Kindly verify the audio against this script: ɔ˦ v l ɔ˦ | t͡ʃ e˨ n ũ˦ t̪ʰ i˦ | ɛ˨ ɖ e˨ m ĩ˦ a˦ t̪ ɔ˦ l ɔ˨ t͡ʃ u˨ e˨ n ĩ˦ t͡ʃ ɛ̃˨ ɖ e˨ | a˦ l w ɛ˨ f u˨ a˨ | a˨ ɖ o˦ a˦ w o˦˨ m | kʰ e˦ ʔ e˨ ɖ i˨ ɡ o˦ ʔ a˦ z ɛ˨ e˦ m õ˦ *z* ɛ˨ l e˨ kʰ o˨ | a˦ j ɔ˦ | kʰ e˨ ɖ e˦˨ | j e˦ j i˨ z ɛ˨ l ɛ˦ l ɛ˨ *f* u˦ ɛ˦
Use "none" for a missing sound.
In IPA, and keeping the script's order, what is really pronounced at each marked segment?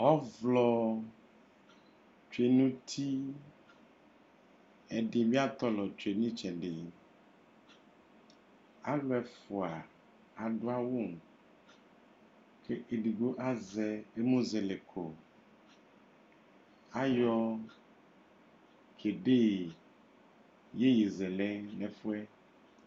z, f

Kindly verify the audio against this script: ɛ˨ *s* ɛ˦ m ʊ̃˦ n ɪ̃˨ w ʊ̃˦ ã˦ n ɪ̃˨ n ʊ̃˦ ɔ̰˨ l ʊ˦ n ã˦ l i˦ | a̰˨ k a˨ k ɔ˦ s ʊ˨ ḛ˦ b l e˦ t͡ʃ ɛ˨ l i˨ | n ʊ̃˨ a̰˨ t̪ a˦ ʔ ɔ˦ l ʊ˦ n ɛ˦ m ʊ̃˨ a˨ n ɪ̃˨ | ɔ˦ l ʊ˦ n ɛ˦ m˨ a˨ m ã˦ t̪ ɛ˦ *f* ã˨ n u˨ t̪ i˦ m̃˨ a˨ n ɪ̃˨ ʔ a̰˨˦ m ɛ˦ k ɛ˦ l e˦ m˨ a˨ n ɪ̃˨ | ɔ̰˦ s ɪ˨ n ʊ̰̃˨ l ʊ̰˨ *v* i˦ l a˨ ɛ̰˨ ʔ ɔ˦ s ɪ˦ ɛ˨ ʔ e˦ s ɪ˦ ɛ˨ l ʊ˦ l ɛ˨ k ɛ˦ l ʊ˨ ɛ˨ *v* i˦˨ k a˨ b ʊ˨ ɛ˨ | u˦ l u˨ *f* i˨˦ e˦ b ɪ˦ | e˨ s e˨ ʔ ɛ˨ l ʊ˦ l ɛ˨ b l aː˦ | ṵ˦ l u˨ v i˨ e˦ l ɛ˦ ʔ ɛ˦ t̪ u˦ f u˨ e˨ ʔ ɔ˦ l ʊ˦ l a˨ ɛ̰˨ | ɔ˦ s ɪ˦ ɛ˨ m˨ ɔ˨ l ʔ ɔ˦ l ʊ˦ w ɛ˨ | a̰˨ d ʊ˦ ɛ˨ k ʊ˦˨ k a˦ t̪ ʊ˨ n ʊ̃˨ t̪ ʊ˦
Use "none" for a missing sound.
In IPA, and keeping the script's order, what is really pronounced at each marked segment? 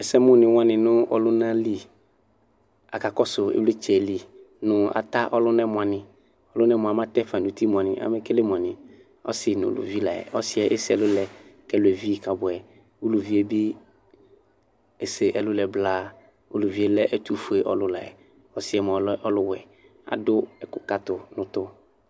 s, f, v, v, v

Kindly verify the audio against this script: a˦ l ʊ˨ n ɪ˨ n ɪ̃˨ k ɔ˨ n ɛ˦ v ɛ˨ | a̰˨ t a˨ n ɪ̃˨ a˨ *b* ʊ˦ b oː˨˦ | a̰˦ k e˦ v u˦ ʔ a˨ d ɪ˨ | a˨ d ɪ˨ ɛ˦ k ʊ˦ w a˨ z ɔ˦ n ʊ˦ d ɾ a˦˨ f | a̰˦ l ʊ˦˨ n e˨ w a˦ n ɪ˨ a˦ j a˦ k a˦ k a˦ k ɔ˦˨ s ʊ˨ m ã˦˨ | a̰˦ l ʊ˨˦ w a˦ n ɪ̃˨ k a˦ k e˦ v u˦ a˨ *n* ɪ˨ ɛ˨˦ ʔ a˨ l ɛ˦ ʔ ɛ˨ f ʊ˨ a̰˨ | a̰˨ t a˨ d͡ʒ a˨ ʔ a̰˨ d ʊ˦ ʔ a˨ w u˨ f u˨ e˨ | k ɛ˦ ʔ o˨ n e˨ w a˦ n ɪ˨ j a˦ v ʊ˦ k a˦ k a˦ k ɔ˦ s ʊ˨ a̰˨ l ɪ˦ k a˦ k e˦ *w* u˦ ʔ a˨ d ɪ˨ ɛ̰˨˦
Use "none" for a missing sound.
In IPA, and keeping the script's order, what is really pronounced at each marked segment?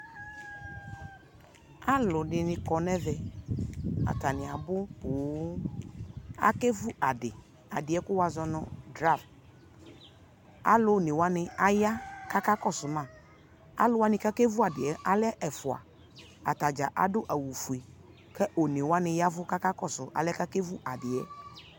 b, d, v

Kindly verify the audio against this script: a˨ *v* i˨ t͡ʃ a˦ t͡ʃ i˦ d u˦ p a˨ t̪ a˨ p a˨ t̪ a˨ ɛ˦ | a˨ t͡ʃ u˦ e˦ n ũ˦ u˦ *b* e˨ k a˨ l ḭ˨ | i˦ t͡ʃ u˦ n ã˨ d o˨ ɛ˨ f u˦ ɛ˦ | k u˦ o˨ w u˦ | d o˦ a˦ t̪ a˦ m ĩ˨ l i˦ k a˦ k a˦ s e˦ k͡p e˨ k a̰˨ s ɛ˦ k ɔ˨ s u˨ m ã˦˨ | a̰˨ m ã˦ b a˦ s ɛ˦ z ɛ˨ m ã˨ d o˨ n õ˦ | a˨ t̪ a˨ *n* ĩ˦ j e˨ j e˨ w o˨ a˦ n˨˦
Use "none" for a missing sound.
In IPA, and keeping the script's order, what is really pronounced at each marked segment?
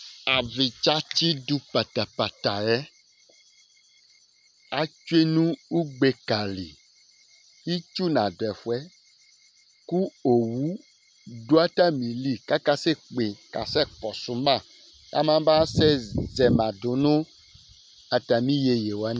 v, ɡ͡b, m

